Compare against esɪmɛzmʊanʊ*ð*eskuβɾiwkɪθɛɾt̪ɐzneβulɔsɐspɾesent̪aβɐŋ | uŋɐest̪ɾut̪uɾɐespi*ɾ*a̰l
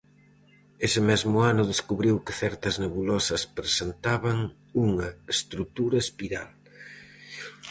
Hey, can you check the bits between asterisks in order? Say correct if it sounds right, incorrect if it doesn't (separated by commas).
correct, correct